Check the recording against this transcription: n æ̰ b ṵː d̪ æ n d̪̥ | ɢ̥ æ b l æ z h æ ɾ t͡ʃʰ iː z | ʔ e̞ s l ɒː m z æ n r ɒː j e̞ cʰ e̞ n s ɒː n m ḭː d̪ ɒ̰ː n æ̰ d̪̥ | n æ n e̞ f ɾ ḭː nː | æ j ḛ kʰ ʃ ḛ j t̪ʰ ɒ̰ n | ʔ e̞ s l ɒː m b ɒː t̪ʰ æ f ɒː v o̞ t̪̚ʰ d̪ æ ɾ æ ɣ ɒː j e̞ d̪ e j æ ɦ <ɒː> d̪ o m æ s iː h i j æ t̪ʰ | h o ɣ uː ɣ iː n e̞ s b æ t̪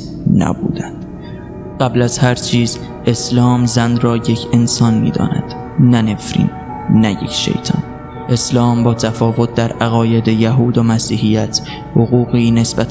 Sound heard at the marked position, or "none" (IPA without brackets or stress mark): uː